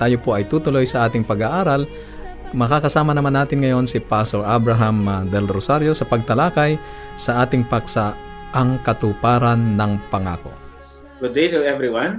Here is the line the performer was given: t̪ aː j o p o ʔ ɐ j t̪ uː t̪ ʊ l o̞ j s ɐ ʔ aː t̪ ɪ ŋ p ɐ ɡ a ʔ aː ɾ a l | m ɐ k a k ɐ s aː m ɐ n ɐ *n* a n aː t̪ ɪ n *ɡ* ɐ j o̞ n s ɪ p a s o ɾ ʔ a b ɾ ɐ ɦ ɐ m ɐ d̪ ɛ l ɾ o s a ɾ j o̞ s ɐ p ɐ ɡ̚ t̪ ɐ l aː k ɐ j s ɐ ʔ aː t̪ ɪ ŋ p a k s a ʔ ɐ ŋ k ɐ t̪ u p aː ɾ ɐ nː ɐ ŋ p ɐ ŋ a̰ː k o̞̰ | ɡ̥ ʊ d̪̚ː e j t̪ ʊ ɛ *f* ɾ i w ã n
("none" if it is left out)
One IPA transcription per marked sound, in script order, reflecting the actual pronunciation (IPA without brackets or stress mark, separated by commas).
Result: m, ŋ, v